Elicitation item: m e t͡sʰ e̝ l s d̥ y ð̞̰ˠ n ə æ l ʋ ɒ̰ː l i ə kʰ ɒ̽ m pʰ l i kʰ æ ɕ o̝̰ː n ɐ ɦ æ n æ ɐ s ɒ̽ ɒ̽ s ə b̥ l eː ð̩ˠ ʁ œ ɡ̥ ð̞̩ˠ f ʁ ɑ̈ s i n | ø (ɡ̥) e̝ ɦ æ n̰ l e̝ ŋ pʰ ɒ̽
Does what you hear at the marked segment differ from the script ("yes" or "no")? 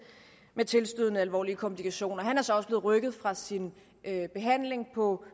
yes